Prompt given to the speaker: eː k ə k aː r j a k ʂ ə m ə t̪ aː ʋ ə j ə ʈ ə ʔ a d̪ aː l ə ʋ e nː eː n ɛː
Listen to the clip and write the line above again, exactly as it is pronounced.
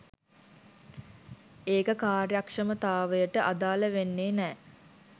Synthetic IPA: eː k ə k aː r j a k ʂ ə m ə t̪ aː ʋ ə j ə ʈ ə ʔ a d̪ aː l ə ʋ e nː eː n ɛː

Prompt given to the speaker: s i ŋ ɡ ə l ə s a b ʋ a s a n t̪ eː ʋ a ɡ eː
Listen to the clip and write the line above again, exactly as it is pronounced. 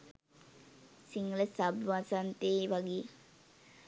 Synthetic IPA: s i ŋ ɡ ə l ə s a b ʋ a s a n t̪ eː ʋ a ɡ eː

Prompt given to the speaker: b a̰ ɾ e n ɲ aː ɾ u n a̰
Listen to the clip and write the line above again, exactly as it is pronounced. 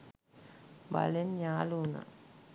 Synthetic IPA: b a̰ l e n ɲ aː l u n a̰

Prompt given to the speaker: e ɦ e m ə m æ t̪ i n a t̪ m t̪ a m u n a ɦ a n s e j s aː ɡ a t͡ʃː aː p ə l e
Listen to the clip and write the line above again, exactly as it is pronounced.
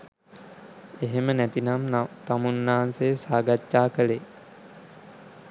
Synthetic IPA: e ɦ e m ə n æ t̪ i n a m t̪ a m u nː a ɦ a n s e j s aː ɡ a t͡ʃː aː k ə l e

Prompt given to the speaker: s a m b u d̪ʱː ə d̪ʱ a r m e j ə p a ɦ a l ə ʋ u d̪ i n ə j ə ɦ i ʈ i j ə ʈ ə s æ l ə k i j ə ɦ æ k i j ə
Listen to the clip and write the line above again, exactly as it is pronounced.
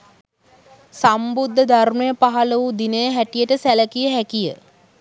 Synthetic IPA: s a m b u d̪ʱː ə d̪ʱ a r m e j ə p a ɦ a l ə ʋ u d̪ i n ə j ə ɦ æ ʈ i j ə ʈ ə s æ l ə k i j ə ɦ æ k i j ə

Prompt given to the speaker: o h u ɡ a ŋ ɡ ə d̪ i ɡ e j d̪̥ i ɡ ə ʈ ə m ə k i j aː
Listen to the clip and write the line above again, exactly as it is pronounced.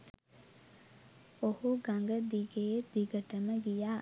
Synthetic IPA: o h u ɡ a ŋ ɡ ə d̪ i ɡ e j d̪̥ i ɡ ə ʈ ə m ə ɡ i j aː

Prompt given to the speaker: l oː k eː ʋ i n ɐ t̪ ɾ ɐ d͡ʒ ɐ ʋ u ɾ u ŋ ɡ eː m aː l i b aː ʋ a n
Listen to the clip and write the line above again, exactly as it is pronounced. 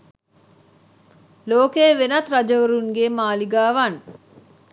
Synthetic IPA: l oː k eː ʋ e n ɐ t̪ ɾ ɐ d͡ʒ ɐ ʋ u ɾ u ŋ ɡ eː m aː l i ɡ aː ʋ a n

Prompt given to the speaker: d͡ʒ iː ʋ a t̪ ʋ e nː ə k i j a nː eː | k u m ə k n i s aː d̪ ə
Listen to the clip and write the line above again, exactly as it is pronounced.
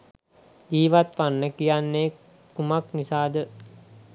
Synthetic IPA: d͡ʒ iː ʋ a t̪ ʋ a nː ə k i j a nː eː | k u m a k n i s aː d̪ ə

